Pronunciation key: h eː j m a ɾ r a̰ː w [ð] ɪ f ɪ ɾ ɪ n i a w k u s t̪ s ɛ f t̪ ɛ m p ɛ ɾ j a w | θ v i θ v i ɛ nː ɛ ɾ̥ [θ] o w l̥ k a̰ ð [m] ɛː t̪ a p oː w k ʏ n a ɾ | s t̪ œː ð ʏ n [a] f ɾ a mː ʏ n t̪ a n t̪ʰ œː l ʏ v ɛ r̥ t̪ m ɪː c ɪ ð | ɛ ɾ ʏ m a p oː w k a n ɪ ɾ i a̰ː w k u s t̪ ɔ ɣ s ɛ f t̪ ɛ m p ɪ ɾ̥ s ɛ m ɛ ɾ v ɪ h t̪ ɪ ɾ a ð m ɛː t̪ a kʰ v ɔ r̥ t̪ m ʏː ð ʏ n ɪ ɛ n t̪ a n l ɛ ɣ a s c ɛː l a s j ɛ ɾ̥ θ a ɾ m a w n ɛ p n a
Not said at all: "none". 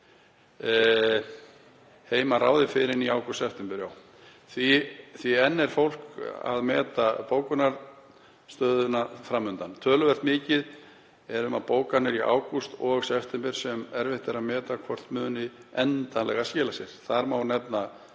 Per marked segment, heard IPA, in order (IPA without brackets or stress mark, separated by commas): ð, f, m, a